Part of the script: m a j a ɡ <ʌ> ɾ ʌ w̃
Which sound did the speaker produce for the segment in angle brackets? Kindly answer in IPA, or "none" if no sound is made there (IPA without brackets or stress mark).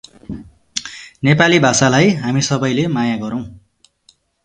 ʌ